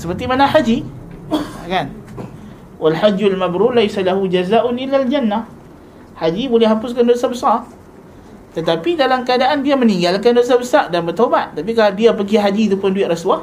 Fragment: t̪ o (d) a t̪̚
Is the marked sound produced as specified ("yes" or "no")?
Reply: no